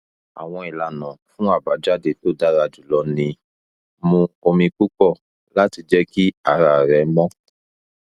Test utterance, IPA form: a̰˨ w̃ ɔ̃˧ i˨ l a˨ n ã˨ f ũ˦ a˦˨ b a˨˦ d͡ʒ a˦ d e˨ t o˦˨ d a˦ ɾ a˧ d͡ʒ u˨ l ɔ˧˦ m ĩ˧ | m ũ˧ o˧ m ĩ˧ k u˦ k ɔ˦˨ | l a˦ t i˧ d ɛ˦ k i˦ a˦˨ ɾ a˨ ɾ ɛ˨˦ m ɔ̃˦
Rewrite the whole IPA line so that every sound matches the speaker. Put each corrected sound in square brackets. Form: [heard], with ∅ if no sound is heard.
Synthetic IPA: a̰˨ w̃ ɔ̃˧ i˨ l a˨ n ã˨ f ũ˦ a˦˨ b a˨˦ d͡ʒ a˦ d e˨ t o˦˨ d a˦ ɾ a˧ d͡ʒ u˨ l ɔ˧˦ [n] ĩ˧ | m ũ˧ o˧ m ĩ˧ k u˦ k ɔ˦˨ | l a˦ t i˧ [d͡ʒ] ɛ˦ k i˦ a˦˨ ɾ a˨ ɾ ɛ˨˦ m ɔ̃˦